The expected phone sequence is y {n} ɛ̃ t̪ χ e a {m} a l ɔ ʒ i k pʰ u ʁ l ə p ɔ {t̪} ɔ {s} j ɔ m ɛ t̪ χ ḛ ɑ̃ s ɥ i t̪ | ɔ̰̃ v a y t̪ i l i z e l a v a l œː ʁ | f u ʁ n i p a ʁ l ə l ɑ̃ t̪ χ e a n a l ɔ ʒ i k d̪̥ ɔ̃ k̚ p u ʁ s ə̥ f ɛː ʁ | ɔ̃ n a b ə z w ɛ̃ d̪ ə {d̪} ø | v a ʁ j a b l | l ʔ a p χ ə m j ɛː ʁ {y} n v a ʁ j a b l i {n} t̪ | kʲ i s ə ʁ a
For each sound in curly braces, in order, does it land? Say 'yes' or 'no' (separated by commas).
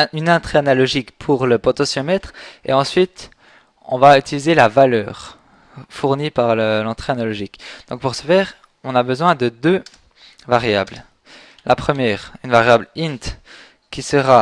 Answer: yes, no, yes, yes, yes, yes, yes